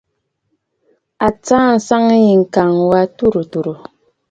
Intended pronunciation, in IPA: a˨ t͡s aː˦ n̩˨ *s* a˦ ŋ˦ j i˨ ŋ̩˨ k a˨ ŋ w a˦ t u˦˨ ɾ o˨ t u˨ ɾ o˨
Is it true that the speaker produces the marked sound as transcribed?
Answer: yes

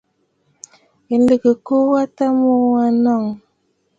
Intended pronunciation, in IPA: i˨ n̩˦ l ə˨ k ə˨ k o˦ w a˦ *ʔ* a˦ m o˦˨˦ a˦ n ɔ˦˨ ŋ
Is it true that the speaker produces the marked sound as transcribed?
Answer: no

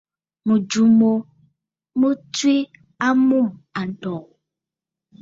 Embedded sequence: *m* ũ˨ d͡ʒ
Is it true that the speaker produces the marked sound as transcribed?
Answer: yes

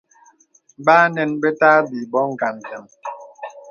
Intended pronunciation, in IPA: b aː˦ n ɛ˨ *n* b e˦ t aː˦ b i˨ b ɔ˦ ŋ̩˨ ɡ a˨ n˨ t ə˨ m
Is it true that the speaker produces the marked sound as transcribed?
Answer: yes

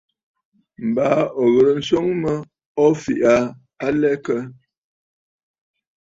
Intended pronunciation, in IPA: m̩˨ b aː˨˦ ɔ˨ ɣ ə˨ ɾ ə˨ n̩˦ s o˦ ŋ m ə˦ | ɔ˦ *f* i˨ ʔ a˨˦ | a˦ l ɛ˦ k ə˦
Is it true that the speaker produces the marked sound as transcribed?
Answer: yes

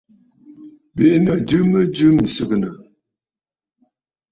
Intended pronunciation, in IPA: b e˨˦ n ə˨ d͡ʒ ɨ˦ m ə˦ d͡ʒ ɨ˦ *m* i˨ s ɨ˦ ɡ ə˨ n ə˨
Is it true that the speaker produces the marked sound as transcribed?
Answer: yes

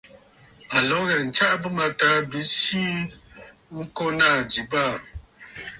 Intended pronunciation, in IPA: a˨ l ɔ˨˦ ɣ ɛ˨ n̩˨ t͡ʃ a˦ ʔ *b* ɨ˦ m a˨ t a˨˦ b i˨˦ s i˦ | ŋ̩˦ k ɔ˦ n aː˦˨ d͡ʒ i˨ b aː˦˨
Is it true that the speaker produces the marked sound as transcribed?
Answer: yes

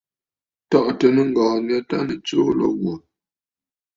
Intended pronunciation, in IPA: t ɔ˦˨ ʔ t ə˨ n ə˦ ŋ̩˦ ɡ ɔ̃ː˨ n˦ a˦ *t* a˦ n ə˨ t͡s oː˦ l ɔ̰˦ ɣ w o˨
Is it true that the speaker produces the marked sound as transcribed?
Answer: yes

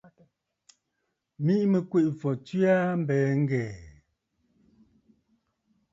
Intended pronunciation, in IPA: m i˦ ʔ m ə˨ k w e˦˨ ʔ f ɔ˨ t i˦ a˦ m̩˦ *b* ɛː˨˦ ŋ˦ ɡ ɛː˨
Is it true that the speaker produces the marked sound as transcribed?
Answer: yes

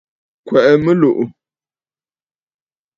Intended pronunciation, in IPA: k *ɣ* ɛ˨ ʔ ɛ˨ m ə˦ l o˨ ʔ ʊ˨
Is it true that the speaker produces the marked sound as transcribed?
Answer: no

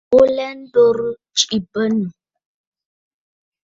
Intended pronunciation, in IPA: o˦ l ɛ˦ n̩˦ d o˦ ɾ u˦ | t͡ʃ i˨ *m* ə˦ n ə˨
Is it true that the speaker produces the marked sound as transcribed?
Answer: no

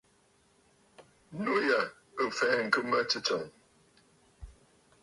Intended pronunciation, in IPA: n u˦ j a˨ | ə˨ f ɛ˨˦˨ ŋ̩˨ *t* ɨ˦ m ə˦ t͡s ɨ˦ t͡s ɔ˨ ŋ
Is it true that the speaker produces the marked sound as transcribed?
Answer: no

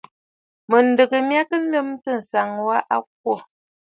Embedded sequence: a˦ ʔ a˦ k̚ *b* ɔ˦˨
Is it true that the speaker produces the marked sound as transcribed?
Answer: no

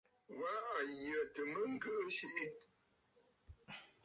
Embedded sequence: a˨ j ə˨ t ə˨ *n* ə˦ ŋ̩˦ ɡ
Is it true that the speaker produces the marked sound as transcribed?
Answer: no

